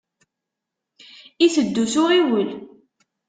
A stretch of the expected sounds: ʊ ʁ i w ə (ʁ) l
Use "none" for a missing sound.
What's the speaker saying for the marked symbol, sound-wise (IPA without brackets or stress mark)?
none